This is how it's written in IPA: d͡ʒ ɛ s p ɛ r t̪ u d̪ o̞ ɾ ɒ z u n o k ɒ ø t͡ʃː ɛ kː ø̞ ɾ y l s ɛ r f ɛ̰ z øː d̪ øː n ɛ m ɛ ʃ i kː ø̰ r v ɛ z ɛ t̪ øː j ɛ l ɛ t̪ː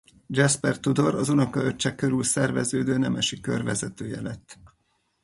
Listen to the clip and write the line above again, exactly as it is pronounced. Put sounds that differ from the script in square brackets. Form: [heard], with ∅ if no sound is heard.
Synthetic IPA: d͡ʒ ɛ s p ɛ r t̪ u d̪ o̞ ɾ ɒ z u n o k ɒ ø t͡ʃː ɛ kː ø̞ ɾ y l s ɛ r [v] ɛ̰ z øː d̪ øː n ɛ m ɛ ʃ i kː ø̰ r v ɛ z ɛ t̪ øː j ɛ l ɛ t̪ː